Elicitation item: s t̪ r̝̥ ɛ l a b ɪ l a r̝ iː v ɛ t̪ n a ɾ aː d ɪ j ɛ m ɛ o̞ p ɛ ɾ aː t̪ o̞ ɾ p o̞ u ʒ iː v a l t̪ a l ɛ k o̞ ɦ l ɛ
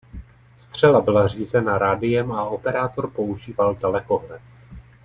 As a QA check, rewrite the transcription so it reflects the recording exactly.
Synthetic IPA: s t̪ r̝̥ ɛ l a b ɪ l a r̝ iː z ɛ n a ɾ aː d ɪ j ɛ m a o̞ p ɛ ɾ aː t̪ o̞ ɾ p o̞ u ʒ iː v a l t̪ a l ɛ k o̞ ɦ l ɛ